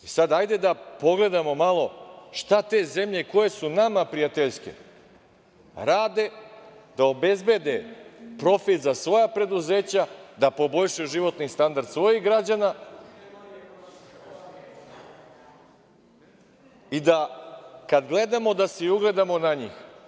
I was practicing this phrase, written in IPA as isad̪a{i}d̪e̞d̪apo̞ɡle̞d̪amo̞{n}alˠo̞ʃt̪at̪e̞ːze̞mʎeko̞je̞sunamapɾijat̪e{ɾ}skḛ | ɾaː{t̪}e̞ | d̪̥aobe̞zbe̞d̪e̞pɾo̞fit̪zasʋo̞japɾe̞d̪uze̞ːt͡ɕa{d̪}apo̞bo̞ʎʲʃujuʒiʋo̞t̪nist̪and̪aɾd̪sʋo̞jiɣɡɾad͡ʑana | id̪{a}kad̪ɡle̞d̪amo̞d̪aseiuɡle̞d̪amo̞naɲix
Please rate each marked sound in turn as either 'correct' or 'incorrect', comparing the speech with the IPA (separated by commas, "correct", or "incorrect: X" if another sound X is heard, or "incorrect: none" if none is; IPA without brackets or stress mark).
incorrect: j, incorrect: m, incorrect: ʎ, incorrect: d̪, correct, correct